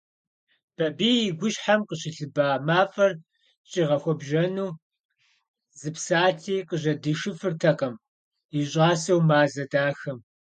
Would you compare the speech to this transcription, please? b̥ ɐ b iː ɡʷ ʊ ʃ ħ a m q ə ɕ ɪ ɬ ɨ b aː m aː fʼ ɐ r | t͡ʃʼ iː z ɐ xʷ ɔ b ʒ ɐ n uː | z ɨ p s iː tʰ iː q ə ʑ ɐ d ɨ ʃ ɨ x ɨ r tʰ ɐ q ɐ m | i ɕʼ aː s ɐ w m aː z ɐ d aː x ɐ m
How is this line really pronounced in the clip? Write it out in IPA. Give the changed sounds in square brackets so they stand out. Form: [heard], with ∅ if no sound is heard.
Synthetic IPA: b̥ ɐ b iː ɡʷ ʊ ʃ ħ a m q ə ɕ ɪ ɬ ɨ b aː m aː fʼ ɐ r | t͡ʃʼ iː [ʁ] ɐ xʷ ɔ b ʒ ɐ n uː | z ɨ p s [aː] tʰ iː q ə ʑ ɐ d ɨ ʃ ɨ [f] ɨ r tʰ ɐ q ɐ m | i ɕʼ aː s ɐ w m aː z ɐ d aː x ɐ m